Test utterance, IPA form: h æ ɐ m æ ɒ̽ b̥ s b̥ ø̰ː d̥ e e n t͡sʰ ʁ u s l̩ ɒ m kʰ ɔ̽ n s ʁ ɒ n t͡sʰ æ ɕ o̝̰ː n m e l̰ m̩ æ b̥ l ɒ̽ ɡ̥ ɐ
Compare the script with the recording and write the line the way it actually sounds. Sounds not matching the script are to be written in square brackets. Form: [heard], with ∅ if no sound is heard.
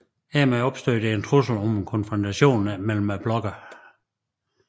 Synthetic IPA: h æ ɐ m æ ɒ̽ b̥ s [d̥] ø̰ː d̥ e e n t͡sʰ ʁ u s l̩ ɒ m kʰ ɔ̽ n [f] ʁ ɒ n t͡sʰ æ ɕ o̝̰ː n m e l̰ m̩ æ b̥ l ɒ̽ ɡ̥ ɐ

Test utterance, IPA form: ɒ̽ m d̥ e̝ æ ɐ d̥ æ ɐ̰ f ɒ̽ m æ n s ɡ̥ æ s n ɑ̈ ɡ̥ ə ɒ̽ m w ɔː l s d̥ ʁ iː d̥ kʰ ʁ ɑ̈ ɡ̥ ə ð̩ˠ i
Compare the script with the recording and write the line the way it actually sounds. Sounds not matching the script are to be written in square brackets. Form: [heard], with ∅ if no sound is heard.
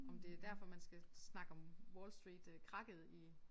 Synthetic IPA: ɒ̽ m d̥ e̝ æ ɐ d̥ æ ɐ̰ f ɒ̽ m æ n s ɡ̥ æ s n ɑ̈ ɡ̥ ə ɒ̽ m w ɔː l s d̥ ʁ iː d̥ kʰ ʁ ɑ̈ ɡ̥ ə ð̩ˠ i

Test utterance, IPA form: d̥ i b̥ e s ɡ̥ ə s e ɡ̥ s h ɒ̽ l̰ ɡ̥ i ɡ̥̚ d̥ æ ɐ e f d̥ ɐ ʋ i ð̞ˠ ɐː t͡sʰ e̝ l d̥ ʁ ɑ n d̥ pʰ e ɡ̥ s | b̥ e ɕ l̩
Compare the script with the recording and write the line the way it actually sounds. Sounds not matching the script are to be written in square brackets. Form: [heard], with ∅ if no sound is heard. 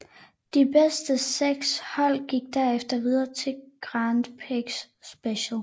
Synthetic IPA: d̥ i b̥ e s [d̥] ə s e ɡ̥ s h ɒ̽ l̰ ɡ̥ i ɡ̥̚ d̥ æ ɐ e f d̥ ɐ ʋ i ð̞ˠ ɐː t͡sʰ e̝ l [ɡ̥] ʁ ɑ n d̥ pʰ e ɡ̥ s | b̥ e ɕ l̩

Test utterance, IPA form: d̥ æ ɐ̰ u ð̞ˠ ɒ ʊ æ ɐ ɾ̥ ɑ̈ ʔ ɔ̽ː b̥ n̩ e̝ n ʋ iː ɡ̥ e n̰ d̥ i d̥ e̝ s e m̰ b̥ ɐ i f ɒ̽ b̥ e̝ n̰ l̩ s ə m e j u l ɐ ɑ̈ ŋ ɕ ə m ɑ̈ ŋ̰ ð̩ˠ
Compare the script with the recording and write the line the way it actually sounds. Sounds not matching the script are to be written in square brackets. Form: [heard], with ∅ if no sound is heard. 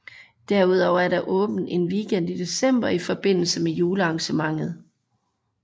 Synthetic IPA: d̥ æ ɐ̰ u ð̞ˠ ɒ ʊ æ ɐ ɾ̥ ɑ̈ ʔ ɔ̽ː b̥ n̩ e̝ n ʋ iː ɡ̥ e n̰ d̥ i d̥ e̝ s e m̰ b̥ ɐ i f ɒ̽ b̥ e̝ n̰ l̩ s ə m e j [uː] l [ə] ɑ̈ ŋ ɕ ə m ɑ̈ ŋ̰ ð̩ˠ

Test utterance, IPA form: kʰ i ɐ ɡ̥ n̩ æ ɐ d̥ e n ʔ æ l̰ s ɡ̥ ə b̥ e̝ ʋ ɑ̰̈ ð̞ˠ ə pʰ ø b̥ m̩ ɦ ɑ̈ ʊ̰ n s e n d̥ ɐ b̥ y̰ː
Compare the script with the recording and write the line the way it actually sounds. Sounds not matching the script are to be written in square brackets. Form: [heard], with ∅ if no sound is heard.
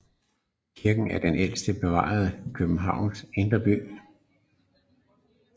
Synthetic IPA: kʰ i ɐ ɡ̥ n̩ æ ɐ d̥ e n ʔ [e] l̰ s [d̥] ə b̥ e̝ ʋ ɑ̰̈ ð̞ˠ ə [kʰ] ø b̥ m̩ ɦ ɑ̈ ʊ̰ n s e n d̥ ɐ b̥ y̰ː

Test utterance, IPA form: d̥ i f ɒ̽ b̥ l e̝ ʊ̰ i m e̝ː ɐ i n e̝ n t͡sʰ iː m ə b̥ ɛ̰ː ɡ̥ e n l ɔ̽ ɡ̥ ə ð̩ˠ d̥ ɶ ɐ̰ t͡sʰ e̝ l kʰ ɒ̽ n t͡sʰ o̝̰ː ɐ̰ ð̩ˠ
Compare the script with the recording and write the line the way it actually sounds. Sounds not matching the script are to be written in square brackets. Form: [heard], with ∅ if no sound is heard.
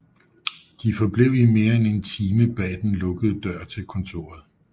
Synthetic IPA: d̥ i f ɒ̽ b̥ l e̝ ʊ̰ i m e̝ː ɐ [e] n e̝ n t͡sʰ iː m ə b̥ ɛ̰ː [d̥] e n l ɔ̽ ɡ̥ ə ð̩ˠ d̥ ɶ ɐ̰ t͡sʰ e̝ l kʰ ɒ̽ n t͡sʰ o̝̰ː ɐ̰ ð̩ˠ

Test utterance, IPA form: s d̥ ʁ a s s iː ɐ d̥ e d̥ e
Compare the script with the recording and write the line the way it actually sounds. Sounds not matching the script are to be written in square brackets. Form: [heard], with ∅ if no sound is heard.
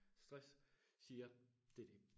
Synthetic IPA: s d̥ ʁ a s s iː ɐ d̥ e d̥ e

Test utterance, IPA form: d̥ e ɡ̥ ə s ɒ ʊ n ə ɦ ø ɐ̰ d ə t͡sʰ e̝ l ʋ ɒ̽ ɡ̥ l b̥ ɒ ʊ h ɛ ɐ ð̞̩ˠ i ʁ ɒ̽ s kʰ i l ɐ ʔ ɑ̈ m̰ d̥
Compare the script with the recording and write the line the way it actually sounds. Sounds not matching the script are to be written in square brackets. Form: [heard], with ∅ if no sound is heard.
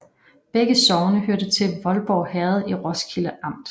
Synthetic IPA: [b̥] e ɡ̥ ə s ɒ ʊ n ə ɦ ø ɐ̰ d ə t͡sʰ e̝ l ʋ ɒ̽ [∅] l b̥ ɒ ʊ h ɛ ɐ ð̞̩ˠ i ʁ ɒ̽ s kʰ i l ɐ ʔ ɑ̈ m̰ d̥

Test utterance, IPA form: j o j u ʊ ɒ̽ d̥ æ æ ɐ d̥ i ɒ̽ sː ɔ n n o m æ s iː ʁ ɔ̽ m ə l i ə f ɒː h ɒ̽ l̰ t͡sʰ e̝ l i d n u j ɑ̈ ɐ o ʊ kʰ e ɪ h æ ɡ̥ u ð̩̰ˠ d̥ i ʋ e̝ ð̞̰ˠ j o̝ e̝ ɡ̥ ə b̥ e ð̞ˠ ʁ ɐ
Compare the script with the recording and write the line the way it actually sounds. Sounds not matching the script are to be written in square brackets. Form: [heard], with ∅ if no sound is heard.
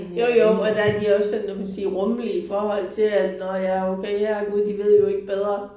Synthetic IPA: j o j [o] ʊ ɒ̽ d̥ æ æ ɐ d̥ i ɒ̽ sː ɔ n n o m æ s iː ʁ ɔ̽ m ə l i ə f ɒː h ɒ̽ l̰ t͡sʰ e̝ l [æ] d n [ɒ] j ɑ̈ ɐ o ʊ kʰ e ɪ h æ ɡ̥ u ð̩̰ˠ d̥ i ʋ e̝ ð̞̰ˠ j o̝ e̝ ɡ̥ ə b̥ e ð̞ˠ ʁ ɐ

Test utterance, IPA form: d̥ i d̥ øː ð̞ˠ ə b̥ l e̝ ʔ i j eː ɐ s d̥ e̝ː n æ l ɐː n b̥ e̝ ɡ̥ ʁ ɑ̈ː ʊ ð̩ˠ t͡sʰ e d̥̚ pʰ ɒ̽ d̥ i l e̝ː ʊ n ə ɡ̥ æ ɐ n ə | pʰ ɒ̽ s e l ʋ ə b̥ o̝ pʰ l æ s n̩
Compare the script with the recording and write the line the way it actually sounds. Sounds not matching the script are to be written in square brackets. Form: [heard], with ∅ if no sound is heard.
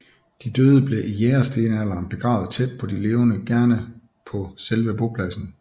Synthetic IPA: d̥ i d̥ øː ð̞ˠ ə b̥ l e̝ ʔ i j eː ɐ s d̥ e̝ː n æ l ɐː n b̥ e̝ ɡ̥ ʁ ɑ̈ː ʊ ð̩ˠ t͡sʰ e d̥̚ pʰ ɒ̽ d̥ i l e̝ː ʊ n ə ɡ̥ æ ɐ n ə | pʰ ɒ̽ s e l ʋ ə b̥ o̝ pʰ l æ s n̩

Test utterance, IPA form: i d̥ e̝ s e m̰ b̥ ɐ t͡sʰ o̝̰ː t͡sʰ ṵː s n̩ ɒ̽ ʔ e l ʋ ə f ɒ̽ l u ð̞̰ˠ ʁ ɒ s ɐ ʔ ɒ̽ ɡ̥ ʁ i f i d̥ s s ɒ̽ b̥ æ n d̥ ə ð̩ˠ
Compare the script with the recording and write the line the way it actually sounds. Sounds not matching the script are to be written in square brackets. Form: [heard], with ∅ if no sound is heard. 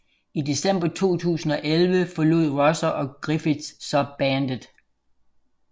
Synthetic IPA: i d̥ e̝ s e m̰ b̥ ɐ t͡sʰ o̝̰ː t͡sʰ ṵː s n̩ ɒ̽ ʔ e l ʋ ə f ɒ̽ l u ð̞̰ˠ ʁ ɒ s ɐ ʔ ɒ̽ ɡ̥ ʁ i f i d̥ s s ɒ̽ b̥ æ n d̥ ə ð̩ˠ

